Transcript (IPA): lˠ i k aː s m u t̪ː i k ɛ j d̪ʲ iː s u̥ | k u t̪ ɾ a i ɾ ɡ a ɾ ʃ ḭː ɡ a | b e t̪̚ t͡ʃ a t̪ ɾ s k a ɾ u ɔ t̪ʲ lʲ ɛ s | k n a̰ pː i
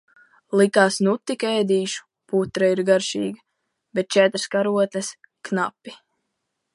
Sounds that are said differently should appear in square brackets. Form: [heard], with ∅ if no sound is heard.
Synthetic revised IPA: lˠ i k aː s [n] u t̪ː i k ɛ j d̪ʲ iː [ʃ] u̥ | [p] u t̪ ɾ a i ɾ ɡ a ɾ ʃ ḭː ɡ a | b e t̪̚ t͡ʃ [ɛ] t̪ ɾ s k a ɾ u ɔ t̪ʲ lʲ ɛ s | k n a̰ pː i